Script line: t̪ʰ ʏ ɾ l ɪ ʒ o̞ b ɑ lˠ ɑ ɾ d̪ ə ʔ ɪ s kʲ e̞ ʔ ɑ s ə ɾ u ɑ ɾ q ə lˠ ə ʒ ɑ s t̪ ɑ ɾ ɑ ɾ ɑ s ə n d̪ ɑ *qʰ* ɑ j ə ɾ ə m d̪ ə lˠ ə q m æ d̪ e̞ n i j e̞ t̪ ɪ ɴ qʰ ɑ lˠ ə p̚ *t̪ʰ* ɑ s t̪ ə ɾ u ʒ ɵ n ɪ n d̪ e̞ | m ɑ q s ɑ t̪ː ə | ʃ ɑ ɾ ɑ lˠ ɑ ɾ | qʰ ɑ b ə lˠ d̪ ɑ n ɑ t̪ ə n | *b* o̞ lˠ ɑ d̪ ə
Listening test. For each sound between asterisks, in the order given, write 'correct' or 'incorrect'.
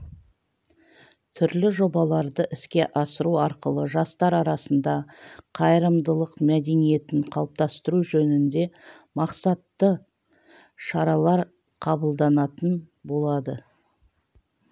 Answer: correct, incorrect, correct

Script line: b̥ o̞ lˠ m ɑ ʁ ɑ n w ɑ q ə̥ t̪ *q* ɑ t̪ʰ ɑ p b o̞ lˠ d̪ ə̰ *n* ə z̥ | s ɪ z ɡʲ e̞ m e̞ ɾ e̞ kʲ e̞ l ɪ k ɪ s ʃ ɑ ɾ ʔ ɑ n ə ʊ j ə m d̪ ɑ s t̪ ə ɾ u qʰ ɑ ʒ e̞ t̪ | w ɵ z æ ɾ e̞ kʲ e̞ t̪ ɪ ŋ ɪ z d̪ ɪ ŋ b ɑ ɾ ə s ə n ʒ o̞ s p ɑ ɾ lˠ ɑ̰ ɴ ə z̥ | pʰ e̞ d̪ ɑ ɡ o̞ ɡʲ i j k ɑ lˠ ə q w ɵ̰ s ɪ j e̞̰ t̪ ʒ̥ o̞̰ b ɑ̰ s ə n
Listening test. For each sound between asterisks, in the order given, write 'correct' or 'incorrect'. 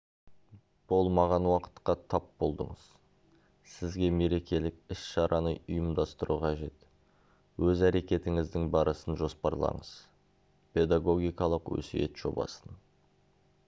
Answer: correct, incorrect

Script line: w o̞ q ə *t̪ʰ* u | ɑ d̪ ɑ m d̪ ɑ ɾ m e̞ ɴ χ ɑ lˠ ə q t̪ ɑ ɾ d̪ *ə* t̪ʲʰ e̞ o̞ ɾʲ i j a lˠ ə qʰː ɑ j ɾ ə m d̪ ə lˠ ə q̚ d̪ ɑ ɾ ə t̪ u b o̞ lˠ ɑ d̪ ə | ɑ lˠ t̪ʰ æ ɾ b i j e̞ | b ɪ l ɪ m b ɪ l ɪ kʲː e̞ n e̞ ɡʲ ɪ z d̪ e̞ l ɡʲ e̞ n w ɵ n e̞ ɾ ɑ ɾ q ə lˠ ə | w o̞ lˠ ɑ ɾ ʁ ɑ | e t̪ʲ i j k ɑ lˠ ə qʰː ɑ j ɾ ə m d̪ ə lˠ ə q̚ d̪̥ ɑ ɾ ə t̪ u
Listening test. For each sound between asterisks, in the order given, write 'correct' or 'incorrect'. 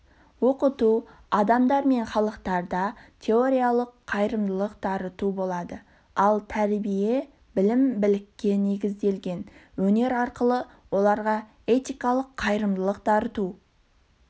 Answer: incorrect, incorrect

